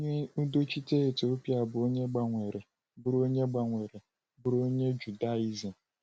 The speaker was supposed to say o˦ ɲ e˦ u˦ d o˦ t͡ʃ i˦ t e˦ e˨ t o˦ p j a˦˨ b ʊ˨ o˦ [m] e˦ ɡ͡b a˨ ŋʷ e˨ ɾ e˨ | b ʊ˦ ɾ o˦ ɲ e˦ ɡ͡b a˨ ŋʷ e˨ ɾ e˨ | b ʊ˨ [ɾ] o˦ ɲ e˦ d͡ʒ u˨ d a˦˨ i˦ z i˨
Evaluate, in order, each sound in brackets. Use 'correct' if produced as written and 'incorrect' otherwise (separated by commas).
incorrect, correct